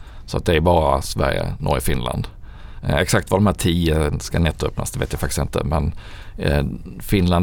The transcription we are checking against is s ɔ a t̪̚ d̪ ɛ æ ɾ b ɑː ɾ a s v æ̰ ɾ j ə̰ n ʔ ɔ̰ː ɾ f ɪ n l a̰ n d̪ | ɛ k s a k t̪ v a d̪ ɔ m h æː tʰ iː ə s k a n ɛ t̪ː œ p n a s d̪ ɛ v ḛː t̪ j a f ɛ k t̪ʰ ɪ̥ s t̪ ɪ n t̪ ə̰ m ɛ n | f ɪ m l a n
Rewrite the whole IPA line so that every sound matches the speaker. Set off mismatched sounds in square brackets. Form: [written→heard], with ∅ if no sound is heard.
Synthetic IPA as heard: s ɔ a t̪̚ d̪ ɛ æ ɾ b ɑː ɾ a s v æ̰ ɾ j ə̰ n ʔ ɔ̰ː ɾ f ɪ n l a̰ n d̪ | ɛ k s a k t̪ v a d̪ ɔ m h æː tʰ iː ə s k a n ɛ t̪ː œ p n a s d̪ ɛ v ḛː t̪ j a f [ɛ→a] k [t̪ʰ→t̪] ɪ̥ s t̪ ɪ n t̪ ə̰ m ɛ n | f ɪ [m→n] l a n